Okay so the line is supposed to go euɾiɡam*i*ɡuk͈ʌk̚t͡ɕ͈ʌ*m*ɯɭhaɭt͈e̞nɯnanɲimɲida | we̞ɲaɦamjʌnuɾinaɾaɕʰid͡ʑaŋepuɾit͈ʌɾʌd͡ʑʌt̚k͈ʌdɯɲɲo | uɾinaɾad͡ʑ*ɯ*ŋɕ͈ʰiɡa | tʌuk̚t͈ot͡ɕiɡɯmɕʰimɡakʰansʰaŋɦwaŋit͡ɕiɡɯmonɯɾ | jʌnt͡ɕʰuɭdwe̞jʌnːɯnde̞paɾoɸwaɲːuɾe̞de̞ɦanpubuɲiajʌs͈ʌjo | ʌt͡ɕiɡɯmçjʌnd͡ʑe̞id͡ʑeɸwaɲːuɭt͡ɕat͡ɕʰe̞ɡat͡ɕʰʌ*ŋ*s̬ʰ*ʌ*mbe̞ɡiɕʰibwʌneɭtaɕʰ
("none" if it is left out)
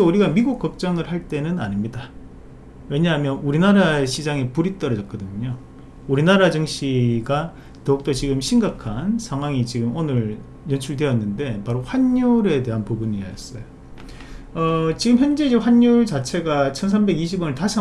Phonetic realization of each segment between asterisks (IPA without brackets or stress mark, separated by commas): i, ŋ, ɯ, n, a